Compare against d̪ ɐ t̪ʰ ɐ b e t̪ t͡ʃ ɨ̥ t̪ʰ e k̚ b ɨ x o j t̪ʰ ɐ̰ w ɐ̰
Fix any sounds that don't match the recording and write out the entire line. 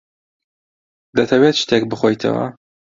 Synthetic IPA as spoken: d̪ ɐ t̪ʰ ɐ w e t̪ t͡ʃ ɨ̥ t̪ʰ e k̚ b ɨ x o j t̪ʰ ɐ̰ w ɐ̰